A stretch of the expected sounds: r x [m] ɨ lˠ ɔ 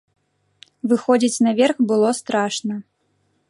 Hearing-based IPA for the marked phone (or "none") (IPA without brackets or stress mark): b